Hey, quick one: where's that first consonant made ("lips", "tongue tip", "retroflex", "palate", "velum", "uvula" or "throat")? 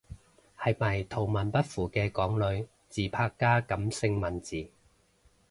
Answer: throat